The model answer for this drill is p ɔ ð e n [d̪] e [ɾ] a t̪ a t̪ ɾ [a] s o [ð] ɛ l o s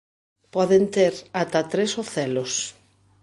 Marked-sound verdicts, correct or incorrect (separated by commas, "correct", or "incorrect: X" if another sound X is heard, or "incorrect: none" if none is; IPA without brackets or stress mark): incorrect: t̪, correct, incorrect: e, incorrect: θ